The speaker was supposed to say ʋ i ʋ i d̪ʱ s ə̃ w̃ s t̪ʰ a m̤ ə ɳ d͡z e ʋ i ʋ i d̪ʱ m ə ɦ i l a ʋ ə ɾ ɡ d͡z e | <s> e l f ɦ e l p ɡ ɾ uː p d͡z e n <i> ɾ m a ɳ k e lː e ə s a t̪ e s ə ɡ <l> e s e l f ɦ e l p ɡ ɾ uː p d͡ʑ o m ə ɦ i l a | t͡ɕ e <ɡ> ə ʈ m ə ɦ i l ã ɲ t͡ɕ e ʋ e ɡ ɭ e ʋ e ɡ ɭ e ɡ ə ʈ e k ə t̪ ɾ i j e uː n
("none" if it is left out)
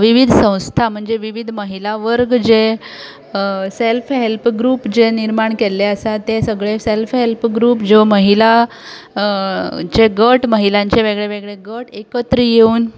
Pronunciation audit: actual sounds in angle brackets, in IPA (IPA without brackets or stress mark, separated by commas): s, i, ɭ, ɡ